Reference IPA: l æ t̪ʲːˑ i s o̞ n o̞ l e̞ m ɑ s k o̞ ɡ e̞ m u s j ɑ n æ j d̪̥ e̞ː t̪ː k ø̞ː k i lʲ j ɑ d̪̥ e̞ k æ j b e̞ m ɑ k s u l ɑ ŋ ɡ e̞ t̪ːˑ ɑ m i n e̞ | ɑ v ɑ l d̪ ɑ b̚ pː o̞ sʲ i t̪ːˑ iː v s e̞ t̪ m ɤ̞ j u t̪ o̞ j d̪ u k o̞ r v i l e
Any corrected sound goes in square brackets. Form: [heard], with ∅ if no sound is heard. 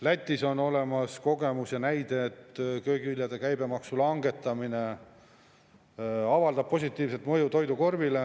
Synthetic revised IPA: l æ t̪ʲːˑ i s o̞ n o̞ l e̞ m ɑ s k o̞ ɡ e̞ m u s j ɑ n æ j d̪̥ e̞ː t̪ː k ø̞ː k i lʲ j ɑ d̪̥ e̞ k æ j b e̞ m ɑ k s u l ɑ ŋ ɡ e̞ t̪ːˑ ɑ m i n e̞ | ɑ v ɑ l d̪ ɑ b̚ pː o̞ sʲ i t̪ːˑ iː v s e̞ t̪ m ɤ̞ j u t̪ o̞ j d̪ u k o̞ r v i l e